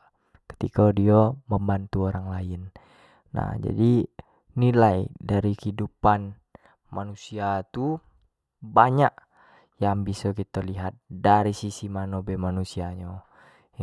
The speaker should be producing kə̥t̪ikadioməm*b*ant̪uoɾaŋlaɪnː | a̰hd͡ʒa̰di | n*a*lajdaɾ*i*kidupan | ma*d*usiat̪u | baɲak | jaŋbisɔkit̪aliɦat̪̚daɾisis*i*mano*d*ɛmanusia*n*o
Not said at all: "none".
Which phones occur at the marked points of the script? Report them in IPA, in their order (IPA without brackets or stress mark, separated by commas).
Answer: b, i, i, n, i, b, ɲ